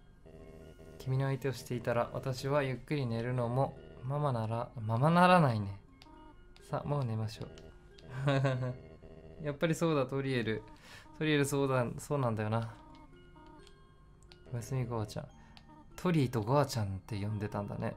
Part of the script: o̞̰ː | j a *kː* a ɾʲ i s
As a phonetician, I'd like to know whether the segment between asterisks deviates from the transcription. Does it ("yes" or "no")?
yes